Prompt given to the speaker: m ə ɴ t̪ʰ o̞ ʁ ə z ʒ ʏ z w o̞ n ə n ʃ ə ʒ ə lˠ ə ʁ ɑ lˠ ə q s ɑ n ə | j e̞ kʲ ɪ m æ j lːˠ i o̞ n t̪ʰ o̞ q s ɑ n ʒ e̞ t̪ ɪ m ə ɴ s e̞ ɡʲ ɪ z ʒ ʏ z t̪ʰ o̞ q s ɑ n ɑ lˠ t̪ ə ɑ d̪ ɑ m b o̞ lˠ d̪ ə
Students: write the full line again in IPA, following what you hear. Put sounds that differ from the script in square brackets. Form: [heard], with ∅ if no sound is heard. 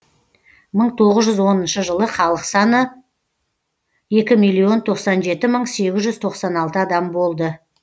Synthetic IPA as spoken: m ə ɴ t̪ʰ o̞ ʁ ə z ʒ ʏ z w o̞ n ə n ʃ ə ʒ ə lˠ ə [χ] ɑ lˠ ə q s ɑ n ə | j e̞ kʲ ɪ m [i] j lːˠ i o̞ n t̪ʰ o̞ q s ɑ n ʒ e̞ t̪ ɪ m ə ɴ s e̞ ɡʲ ɪ z ʒ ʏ z t̪ʰ o̞ q s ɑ n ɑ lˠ t̪ ə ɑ d̪ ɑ m b o̞ lˠ d̪ ə